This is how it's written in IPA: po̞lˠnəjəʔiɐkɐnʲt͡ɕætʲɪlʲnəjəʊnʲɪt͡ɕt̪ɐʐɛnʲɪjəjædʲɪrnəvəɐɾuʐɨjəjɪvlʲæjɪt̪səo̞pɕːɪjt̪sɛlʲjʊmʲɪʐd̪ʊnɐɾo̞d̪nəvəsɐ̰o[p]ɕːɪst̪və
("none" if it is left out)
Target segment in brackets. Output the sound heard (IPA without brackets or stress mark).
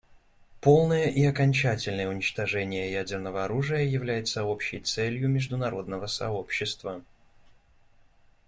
p